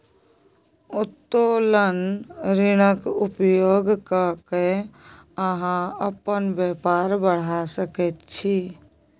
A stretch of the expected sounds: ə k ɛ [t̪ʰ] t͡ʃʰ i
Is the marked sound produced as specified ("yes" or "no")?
no